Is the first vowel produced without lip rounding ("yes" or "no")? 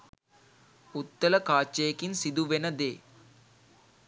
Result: no